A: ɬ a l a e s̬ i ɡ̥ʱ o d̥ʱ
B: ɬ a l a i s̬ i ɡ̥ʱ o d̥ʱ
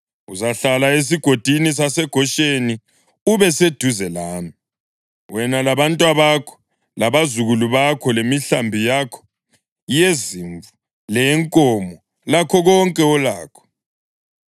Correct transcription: A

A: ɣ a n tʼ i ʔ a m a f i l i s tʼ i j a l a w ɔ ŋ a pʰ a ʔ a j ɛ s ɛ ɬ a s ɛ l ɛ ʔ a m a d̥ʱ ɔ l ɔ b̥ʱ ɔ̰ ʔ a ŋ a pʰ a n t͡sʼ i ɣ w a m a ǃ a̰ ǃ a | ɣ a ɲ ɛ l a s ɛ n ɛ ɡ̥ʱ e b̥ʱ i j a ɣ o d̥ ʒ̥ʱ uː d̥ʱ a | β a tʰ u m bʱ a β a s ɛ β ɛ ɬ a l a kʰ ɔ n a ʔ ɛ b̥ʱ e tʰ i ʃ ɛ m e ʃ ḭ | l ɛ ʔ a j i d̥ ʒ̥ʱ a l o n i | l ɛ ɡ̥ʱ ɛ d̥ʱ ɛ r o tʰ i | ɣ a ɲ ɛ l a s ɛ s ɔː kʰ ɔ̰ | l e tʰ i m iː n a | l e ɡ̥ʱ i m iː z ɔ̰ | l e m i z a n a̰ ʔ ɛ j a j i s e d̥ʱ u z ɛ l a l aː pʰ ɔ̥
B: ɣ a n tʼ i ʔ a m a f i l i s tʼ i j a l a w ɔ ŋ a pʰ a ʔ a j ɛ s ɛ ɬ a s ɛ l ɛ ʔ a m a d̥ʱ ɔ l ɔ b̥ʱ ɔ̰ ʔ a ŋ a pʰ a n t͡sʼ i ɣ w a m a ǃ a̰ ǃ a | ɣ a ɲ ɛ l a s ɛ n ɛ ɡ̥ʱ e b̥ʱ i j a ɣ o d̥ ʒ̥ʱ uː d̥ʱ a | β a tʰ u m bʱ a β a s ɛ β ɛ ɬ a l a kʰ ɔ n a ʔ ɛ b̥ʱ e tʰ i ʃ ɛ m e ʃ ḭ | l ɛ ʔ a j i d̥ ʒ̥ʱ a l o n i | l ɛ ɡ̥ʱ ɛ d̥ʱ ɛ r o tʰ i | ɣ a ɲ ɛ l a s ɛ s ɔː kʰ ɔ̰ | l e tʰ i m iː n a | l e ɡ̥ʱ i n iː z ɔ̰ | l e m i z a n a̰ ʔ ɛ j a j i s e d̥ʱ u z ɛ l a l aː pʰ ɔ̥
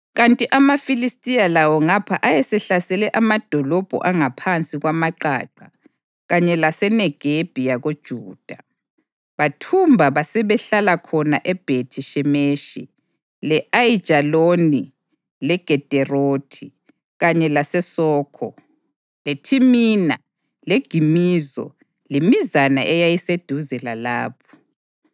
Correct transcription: A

